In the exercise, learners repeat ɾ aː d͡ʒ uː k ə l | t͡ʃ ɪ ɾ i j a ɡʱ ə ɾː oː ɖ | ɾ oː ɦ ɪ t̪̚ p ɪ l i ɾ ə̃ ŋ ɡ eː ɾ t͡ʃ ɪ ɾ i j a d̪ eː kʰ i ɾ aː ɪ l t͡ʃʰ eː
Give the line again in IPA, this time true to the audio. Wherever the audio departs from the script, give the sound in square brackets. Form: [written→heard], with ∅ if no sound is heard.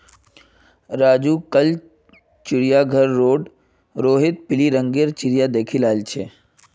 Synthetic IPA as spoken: ɾ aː d͡ʒ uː k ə l | t͡ʃ ɪ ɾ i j a ɡʱ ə ɾː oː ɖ | ɾ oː ɦ ɪ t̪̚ p ɪ l i ɾ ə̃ ŋ ɡ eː ɾ t͡ʃ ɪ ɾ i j a d̪ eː kʰ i [ɾ→l] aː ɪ l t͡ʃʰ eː